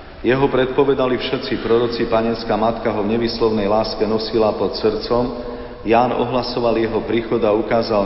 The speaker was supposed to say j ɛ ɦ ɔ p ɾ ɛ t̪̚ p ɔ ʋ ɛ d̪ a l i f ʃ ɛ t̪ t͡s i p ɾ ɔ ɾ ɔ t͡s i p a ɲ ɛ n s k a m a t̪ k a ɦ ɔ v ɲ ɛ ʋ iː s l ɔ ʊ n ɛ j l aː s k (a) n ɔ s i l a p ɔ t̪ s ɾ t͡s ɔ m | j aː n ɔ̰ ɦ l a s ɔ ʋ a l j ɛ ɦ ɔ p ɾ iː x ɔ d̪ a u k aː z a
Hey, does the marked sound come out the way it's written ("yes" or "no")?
no